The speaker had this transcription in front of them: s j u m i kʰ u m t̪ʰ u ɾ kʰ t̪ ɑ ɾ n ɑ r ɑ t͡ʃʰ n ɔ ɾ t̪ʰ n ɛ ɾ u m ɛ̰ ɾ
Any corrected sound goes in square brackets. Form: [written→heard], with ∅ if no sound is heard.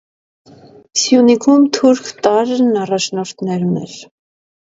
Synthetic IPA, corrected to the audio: s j u [m→n] i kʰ u m t̪ʰ u ɾ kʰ t̪ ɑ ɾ n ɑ r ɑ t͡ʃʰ n ɔ ɾ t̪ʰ n ɛ ɾ u [m→n] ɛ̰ ɾ